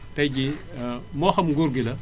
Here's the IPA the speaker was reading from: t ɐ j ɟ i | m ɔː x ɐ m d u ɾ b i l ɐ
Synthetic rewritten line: t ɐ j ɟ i | m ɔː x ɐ m ɡ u ɾ ɡ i l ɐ

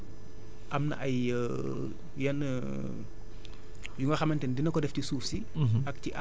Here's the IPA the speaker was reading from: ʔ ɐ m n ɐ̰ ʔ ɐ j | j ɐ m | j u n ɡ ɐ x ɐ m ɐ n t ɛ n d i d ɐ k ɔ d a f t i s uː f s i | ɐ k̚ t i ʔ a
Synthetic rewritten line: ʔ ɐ m n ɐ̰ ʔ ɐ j | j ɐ n | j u ŋ ɡ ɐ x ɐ m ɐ n t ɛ n d i n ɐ k ɔ d ɛ f t i s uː f s i | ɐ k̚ t i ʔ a

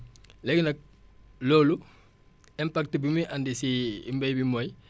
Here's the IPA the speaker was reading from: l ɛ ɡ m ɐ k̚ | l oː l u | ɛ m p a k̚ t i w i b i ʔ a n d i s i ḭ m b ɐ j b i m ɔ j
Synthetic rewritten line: l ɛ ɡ n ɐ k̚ | l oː l u | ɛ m p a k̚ t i b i m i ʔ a n d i s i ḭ m b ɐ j b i m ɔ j

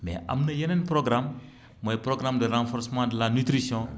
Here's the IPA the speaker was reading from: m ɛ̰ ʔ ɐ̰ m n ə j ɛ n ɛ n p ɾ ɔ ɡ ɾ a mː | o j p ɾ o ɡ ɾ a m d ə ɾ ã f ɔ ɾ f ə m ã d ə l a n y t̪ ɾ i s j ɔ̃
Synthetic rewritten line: m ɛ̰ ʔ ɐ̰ m n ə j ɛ n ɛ n p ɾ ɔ ɡ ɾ a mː | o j p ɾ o ɡ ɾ a m d ə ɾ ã f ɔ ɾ s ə m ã d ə l a n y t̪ ɾ i s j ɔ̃

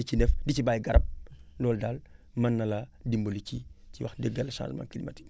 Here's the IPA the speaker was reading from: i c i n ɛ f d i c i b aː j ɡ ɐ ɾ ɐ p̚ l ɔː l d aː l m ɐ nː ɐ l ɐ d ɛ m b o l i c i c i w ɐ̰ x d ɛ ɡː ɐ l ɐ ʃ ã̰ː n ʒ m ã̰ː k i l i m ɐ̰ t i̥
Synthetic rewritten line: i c i n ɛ f d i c i b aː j ɡ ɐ ɾ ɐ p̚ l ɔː l d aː l m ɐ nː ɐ l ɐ d i m b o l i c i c i w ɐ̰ x d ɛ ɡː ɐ l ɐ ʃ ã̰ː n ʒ m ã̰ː k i l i m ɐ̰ t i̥

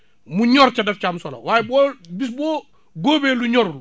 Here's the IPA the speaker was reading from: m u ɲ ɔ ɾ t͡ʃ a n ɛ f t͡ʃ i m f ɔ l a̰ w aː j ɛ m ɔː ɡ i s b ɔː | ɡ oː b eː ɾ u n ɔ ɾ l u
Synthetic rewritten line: m u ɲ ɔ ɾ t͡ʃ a d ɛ f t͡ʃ a m s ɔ l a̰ w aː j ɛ b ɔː b i s b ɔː | ɡ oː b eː l u ɲ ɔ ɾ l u

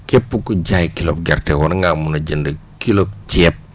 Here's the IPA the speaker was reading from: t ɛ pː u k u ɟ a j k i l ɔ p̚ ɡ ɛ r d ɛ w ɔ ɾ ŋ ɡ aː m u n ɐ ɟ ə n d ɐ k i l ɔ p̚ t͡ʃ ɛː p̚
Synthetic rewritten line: k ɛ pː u k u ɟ a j k i l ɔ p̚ ɡ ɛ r t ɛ w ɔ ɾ ŋ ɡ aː m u n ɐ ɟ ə n d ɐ k i l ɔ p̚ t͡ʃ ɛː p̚

